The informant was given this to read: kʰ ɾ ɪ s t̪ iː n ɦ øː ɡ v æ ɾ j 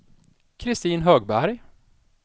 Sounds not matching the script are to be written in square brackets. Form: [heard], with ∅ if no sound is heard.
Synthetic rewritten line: kʰ ɾ ɪ s t̪ iː n ɦ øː ɡ [b] æ ɾ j